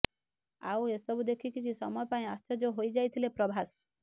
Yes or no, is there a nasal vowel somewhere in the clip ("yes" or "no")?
yes